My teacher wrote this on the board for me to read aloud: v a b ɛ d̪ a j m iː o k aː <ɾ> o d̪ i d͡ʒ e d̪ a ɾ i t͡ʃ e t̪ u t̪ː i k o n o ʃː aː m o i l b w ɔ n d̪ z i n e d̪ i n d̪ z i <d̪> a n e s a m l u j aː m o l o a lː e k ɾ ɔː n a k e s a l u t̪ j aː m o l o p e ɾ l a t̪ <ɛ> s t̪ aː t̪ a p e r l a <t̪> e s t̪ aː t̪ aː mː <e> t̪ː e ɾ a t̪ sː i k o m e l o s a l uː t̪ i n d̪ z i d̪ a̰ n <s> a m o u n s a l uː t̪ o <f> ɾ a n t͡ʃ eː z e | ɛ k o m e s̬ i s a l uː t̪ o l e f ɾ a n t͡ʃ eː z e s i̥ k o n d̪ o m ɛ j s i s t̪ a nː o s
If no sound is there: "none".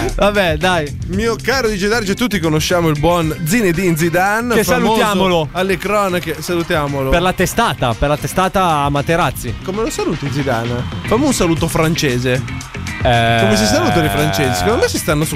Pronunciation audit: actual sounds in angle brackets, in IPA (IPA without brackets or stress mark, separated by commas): ɾ, d̪, e, t̪, a, f, f